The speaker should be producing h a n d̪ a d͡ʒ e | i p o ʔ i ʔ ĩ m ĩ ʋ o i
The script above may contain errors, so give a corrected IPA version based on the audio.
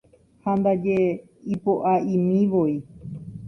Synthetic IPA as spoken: h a n d̪ a d͡ʒ e | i p o ʔ a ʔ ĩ m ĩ ʋ o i

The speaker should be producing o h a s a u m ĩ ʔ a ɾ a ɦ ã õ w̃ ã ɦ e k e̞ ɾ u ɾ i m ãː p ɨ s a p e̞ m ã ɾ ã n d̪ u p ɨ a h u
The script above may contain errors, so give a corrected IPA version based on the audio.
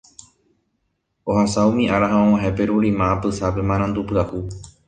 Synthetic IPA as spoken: o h a s a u m ĩ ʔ a ɾ a ɦ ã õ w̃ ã ɦ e p e̞ ɾ u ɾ i m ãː p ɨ s a p e̞ m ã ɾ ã n d̪ u p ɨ a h u

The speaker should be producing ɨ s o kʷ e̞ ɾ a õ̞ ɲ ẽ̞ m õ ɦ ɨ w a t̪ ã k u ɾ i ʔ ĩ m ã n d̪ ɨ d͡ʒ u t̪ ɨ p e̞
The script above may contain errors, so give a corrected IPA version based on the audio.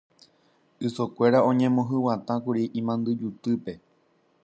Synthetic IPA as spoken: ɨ s o kʷ e̞ ɾ a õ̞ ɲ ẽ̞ m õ ɦ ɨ w a t̪ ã k u ɾ i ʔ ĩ m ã n d̪ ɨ d͡ʒ u t̪ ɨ p e̞

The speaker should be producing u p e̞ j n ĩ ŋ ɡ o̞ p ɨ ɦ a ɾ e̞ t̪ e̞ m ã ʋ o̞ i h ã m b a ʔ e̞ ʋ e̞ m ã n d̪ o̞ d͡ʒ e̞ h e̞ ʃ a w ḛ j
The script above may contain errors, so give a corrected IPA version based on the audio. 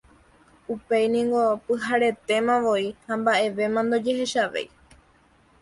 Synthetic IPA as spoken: u p e̞ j n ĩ ŋ ɡ o̞ p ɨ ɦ a ɾ e̞ t̪ e̞ m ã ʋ o̞ i h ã m b a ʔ e̞ ʋ e̞ m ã n d̪ o̞ d͡ʒ e̞ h e̞ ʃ a ʋ ḛ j

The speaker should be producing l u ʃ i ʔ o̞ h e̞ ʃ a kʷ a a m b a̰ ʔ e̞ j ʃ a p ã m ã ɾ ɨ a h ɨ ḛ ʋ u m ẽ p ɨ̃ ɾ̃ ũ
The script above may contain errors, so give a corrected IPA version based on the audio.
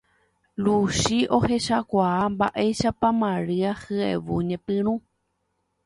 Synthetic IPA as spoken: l u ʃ i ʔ o̞ h e̞ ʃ a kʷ a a m b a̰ ʔ e̞ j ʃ a p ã m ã ɾ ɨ a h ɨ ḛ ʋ u ɲ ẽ p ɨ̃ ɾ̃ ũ

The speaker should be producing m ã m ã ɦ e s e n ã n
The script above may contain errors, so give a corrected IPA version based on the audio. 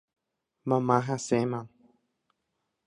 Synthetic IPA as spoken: m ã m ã ɦ a s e m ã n

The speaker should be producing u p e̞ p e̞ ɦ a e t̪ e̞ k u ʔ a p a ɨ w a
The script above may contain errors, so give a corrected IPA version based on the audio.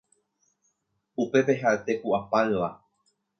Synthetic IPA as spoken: u p e̞ p e̞ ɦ a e t̪ e̞ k u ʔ a p a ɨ ʋ a

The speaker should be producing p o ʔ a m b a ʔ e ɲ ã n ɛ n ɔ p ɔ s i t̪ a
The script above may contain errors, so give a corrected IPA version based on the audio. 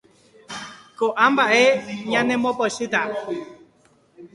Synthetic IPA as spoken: k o ʔ a m b a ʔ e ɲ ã n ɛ m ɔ p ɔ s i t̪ a

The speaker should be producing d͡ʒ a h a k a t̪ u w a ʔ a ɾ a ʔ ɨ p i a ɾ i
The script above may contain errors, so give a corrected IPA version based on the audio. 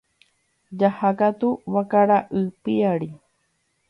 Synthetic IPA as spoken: d͡ʒ a h a k a t̪ u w a k a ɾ a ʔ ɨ p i a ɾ i

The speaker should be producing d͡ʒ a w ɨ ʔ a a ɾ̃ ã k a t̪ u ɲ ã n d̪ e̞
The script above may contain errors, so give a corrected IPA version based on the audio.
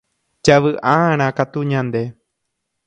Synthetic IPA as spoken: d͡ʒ a ʋ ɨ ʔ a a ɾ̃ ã k a t̪ u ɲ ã n d̪ e̞

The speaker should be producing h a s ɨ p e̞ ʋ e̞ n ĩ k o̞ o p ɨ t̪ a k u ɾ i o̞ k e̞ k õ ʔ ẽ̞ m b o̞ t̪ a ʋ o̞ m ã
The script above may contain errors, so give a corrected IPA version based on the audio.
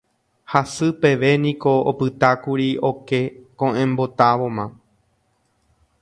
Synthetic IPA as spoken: h a s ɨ p e̞ ʋ e̞ n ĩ k o̞ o p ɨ t̪ a k u ɾ i o̞ k e̞ k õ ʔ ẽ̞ m b o̞ t̪ a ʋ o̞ m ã

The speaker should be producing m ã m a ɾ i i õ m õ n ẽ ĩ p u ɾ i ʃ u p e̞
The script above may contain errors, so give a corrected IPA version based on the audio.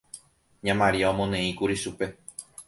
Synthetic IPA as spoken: ɲ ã m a ɾ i a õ m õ n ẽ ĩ k u ɾ i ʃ u p e̞

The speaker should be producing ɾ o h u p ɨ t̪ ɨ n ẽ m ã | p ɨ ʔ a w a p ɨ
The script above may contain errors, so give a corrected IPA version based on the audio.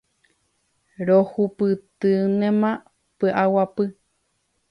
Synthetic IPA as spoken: ɾ o h u p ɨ t̪ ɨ n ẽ m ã | p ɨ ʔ a w a p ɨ

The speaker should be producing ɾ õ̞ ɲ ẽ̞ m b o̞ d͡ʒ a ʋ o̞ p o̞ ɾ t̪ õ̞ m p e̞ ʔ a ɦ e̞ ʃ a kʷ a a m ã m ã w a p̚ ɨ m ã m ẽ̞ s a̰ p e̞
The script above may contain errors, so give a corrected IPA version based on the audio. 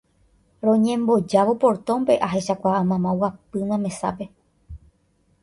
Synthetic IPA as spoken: ɾ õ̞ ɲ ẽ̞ m b o̞ d͡ʒ a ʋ o̞ p o̞ ɾ t̪ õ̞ m p e̞ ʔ a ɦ e̞ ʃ a kʷ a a m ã m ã w a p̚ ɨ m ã m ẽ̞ s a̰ p e̞

